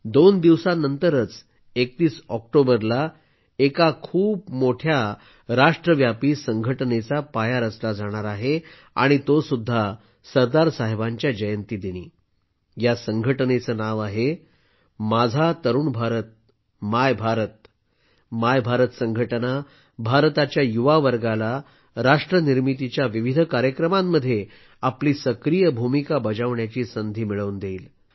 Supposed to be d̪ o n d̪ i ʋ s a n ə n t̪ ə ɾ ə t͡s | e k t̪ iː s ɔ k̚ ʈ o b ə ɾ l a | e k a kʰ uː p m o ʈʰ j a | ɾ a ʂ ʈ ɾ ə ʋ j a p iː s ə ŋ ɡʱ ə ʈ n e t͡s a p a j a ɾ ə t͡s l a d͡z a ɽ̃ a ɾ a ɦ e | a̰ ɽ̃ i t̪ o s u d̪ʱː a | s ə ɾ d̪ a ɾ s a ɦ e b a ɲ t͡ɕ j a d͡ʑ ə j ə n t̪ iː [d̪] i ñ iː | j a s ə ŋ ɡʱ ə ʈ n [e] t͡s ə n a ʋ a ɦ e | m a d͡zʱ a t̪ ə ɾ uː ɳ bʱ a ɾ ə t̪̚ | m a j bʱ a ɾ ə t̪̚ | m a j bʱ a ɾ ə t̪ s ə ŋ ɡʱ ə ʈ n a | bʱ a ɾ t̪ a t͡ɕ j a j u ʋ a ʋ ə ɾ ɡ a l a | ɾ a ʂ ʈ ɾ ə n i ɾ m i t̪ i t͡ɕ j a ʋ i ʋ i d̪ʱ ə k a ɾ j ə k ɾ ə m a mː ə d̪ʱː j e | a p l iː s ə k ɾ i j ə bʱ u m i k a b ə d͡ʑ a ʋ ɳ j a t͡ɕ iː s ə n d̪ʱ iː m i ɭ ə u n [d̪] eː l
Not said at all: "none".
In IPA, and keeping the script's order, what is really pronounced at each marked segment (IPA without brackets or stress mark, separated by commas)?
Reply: d̪, e, d̪